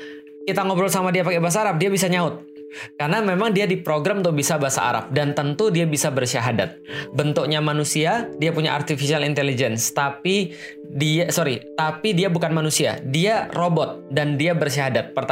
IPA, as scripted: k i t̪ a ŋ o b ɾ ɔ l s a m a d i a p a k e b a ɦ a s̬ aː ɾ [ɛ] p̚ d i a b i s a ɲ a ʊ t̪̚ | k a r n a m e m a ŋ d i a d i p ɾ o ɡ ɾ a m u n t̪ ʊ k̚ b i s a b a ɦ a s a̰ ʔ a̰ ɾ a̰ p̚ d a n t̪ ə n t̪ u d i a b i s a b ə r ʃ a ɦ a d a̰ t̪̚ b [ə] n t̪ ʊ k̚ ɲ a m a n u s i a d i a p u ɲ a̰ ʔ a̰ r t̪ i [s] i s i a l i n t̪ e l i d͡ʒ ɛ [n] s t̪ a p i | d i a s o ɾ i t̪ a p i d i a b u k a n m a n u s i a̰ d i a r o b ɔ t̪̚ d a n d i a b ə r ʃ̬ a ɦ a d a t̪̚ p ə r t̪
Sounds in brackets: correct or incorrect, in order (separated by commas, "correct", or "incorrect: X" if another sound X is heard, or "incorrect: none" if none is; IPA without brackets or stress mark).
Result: incorrect: a, correct, incorrect: f, correct